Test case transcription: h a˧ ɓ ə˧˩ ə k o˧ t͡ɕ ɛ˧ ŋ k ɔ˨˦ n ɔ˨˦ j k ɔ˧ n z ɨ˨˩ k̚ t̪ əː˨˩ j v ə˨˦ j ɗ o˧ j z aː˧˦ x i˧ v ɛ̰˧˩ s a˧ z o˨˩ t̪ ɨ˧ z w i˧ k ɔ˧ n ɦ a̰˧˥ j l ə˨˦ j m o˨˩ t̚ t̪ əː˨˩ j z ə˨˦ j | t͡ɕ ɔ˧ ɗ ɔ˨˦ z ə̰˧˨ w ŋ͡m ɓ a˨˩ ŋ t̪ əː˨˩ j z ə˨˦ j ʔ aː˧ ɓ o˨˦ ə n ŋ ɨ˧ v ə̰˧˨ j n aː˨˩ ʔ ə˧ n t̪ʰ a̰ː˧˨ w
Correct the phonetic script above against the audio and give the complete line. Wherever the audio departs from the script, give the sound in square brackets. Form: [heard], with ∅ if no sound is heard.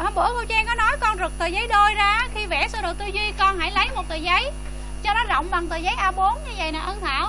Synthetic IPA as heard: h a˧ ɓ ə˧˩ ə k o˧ t͡ɕ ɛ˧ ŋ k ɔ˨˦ n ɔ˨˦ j k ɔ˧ n z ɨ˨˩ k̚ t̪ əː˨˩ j [z] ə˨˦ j ɗ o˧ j z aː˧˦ x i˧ v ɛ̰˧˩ s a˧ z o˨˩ t̪ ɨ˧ z w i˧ k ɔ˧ n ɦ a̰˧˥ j l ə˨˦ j m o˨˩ t̚ t̪ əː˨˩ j z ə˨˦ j | t͡ɕ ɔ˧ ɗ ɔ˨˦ z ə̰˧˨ w ŋ͡m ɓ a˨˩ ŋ t̪ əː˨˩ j z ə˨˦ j ʔ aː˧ ɓ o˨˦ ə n [ɲ] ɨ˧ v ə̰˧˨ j n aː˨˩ ʔ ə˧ n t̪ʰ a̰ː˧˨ w

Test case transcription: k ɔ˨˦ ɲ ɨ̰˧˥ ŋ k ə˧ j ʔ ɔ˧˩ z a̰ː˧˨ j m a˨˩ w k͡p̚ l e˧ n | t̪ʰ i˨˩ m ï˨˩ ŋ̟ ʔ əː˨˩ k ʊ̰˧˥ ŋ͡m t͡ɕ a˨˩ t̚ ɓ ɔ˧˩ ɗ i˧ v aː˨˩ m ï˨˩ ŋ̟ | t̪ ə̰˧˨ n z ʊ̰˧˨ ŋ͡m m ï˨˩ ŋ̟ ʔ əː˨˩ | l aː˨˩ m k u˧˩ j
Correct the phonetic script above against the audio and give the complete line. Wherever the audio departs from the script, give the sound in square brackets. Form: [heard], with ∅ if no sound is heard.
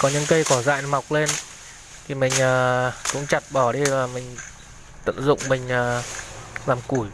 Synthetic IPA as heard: k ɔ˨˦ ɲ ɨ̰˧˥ ŋ k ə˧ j [k] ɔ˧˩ z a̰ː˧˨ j m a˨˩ w k͡p̚ l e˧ n | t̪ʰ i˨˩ m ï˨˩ ŋ̟ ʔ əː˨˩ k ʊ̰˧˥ ŋ͡m t͡ɕ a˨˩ t̚ ɓ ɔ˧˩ ɗ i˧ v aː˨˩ m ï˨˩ ŋ̟ | t̪ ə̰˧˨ n z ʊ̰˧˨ ŋ͡m m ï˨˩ ŋ̟ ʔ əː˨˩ | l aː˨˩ m k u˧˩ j

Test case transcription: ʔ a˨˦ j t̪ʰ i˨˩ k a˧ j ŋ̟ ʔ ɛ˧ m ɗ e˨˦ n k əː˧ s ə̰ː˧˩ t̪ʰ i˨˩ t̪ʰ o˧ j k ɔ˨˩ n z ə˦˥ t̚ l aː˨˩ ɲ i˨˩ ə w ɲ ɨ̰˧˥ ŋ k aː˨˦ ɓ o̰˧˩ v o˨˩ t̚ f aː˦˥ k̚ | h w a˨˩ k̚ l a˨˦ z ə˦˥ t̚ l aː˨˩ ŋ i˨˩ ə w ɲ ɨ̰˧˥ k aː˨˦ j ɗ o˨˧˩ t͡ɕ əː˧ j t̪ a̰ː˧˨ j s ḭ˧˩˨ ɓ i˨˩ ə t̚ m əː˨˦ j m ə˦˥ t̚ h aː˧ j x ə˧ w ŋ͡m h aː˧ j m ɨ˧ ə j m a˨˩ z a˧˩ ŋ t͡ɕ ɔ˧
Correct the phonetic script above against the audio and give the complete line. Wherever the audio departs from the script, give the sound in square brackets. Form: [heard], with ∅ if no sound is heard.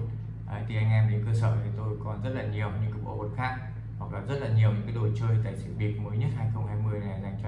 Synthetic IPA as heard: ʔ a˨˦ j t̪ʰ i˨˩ [ʔ] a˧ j ŋ̟ ʔ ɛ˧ m ɗ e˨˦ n k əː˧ s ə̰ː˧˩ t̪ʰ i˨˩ [t̪] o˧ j k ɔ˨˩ n z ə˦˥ t̚ l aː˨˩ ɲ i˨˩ ə w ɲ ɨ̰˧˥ ŋ k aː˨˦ ɓ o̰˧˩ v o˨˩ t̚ [x] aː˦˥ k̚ | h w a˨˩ k̚ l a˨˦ z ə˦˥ t̚ l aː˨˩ [ɲ] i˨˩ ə w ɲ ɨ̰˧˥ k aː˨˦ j ɗ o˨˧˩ t͡ɕ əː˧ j t̪ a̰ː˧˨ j s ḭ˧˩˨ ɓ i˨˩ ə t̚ m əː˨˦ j [ɲ] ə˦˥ t̚ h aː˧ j x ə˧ w ŋ͡m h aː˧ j m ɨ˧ ə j [n] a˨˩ z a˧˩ ŋ t͡ɕ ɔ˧

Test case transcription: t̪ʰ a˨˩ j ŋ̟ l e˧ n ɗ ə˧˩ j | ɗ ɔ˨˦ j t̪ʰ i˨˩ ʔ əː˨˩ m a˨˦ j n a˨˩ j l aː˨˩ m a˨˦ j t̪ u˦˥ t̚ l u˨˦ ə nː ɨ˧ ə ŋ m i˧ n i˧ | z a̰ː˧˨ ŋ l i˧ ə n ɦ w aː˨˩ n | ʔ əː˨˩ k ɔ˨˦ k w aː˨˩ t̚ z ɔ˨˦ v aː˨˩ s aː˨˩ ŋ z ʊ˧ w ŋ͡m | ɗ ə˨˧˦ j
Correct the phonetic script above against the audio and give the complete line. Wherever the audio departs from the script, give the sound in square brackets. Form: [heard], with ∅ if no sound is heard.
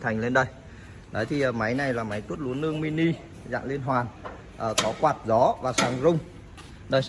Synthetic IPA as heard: t̪ʰ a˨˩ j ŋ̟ l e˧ n ɗ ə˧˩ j | ɗ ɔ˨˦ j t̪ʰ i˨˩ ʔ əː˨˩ m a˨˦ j n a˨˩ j l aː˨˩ m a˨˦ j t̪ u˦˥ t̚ l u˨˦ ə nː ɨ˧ ə ŋ m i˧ n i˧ | z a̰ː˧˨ ŋ l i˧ ə n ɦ w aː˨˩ n | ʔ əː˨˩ k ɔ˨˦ k w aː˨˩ t̚ z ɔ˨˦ v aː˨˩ s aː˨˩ ŋ z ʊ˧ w ŋ͡m | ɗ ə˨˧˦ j

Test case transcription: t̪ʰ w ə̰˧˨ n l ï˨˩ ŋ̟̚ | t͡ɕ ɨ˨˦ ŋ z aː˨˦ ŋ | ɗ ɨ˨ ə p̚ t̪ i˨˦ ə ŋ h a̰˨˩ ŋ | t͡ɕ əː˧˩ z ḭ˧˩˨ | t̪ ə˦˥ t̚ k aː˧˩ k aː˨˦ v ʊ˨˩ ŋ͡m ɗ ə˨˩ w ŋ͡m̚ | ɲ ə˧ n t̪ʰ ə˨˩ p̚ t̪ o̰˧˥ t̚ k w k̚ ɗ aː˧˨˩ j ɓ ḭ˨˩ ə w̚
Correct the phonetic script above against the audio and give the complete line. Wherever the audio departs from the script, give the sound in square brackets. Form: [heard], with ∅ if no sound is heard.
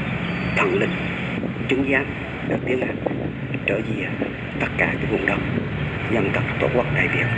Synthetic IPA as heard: t̪ʰ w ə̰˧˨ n l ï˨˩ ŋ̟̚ | t͡ɕ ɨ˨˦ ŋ z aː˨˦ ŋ | ɗ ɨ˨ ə [k̚] t̪ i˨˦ ə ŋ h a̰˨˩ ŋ | t͡ɕ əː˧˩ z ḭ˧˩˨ | t̪ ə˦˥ t̚ k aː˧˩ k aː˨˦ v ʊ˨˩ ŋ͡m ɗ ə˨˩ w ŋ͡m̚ | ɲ ə˧ n [t̪] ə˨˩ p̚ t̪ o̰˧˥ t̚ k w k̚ ɗ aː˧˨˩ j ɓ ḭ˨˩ ə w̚

